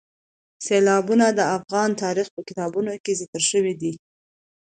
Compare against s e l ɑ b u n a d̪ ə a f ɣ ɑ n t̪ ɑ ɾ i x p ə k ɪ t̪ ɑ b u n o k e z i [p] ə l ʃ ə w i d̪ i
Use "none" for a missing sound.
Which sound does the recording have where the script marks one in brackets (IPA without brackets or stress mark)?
k